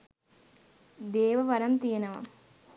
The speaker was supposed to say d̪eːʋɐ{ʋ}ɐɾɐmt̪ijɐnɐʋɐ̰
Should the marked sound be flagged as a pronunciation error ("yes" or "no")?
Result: no